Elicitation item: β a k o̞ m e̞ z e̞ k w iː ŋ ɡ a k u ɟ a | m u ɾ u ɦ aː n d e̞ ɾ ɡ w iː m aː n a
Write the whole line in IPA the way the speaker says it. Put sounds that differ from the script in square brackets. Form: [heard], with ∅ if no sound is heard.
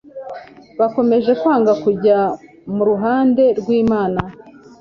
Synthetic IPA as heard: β a k o̞ m e̞ [ʒ] e̞ k w [aː] ŋ ɡ a k u ɟ a | m u ɾ u ɦ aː n d e̞ ɾ ɡ w iː m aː n a